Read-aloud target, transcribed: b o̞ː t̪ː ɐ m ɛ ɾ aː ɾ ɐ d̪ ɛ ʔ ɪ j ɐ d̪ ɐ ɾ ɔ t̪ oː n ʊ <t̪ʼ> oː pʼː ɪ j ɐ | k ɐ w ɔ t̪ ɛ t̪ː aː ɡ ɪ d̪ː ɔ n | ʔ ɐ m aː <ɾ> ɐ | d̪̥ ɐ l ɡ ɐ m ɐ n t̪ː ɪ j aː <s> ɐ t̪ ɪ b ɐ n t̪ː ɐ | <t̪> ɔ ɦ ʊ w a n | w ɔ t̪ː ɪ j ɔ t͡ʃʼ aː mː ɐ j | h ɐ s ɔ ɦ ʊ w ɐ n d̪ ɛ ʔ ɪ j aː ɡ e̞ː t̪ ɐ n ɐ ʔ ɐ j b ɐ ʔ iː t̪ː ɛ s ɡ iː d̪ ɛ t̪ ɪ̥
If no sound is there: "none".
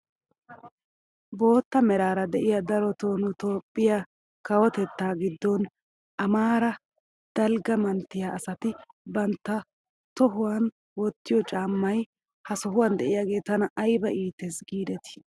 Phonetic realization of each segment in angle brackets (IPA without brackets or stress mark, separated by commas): t̪, ɾ, s, t̪